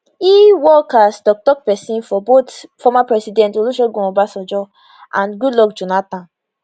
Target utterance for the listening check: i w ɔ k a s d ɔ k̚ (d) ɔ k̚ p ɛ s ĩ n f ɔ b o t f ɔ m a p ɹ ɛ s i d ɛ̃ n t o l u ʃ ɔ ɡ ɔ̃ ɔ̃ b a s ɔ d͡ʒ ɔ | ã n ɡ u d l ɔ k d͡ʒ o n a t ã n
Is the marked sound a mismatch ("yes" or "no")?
yes